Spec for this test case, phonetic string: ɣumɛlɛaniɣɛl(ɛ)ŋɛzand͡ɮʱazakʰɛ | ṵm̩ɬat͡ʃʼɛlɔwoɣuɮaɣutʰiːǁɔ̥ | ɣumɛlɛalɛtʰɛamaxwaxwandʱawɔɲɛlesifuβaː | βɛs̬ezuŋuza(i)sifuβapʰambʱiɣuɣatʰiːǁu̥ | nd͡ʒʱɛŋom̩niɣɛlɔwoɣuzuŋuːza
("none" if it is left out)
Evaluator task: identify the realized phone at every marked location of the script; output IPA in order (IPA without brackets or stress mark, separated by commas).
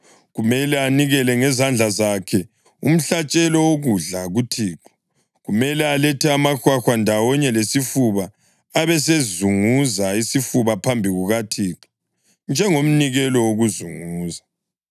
ɛ, i